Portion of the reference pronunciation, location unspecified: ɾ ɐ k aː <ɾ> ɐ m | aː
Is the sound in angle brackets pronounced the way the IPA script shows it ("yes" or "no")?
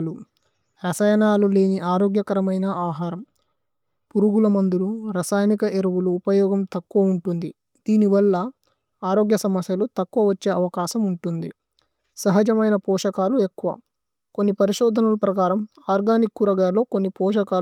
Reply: yes